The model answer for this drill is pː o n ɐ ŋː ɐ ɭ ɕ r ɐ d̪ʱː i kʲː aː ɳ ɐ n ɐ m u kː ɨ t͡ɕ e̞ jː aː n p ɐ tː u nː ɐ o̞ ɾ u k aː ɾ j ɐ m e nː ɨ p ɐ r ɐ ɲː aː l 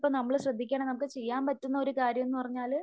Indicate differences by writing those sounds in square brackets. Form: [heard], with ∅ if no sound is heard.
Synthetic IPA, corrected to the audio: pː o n ɐ [mː] ɐ ɭ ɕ r ɐ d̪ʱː i kʲː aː ɳ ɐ n ɐ m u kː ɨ t͡ɕ e̞ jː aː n p ɐ tː u nː ɐ o̞ ɾ u k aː ɾ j ɐ m e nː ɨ p ɐ r ɐ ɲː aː l

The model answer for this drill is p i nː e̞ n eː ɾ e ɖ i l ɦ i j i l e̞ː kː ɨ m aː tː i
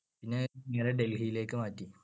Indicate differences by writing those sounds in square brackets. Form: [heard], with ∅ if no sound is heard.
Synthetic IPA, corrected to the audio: p i nː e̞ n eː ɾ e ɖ [e] l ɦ i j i l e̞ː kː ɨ m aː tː i

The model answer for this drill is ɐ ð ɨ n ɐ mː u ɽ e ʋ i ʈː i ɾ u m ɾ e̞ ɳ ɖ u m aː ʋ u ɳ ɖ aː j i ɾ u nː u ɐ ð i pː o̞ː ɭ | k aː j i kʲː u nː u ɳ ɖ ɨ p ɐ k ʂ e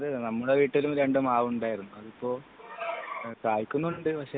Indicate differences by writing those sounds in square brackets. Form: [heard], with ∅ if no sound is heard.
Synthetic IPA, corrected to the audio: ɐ ð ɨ n ɐ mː u ɽ e ʋ [iː] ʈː i [l] u m ɾ e̞ ɳ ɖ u m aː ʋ u ɳ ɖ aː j i ɾ u nː u ɐ ð i pː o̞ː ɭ | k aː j i kʲː u nː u ɳ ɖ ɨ p ɐ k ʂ e

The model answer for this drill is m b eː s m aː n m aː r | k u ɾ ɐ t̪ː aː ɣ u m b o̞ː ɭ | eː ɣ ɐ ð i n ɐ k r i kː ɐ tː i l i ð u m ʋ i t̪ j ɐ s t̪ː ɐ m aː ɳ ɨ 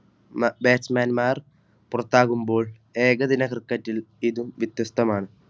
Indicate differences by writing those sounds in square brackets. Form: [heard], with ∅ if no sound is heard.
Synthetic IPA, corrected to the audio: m b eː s m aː n m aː r | [p] u [r] ɐ t̪ː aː ɣ u m b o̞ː ɭ | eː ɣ ɐ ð i n ɐ k r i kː ɐ tː i l i ð u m ʋ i t̪ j ɐ s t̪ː ɐ m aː ɳ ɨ

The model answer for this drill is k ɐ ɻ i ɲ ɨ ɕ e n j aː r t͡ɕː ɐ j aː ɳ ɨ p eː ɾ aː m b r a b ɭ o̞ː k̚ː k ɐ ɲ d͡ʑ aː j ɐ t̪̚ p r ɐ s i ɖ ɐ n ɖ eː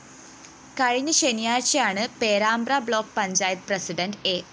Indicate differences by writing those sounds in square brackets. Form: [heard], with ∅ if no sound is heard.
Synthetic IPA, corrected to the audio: k ɐ ɻ i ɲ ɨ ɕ e n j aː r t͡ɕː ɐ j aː ɳ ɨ p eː ɾ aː m b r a b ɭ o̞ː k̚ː [p] ɐ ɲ d͡ʑ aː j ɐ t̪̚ p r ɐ s i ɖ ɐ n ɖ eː

